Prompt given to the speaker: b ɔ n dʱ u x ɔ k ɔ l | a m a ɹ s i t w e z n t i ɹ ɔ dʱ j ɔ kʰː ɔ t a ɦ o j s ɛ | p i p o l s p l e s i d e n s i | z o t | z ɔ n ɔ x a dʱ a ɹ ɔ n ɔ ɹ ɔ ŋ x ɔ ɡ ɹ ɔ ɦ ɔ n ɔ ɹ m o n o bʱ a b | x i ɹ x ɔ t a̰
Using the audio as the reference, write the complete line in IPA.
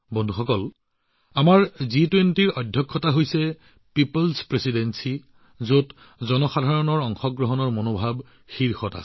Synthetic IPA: b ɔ n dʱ u x ɔ k ɔ l | a m a ɹ z i t w e n t i ɹ ɔ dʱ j ɔ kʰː ɔ t a ɦ o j s ɛ | p i p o l s p ɹ e s i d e n s i | z o t | z ɔ n ɔ x a dʱ a ɹ ɔ n ɔ ɹ ɔ ŋ x ɔ ɡ ɹ ɔ ɦ ɔ n ɔ ɹ m o n o bʱ a b | x i ɹ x ɔ t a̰